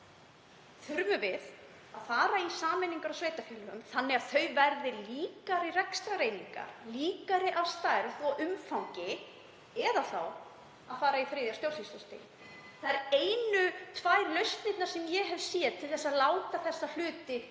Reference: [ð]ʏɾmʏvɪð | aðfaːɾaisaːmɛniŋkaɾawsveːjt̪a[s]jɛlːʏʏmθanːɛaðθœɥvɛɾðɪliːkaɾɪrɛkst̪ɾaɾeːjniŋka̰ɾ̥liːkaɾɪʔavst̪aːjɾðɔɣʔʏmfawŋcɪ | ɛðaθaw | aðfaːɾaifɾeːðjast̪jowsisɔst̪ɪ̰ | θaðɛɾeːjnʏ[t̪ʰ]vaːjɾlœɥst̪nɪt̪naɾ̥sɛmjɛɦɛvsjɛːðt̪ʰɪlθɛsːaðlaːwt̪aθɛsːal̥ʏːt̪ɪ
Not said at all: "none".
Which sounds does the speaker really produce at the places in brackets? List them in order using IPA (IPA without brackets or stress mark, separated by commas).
θ, f, t̪ʰ